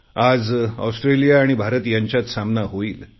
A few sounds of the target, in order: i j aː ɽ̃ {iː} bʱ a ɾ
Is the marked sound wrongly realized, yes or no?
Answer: yes